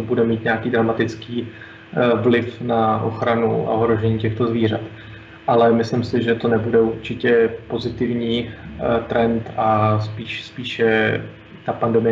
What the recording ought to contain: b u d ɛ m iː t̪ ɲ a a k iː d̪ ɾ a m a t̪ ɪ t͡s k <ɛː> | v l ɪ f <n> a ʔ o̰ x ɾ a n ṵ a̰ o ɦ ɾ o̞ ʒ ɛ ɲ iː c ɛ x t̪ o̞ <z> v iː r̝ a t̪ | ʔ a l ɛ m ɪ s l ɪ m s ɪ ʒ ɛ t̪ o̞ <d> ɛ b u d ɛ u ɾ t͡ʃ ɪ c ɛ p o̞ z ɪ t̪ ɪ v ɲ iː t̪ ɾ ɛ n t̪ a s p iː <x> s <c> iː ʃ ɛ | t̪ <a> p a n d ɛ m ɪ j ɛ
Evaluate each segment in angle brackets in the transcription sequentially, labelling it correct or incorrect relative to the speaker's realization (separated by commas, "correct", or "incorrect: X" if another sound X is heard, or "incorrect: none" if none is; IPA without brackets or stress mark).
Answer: incorrect: iː, correct, correct, incorrect: n, incorrect: ʃ, incorrect: p, correct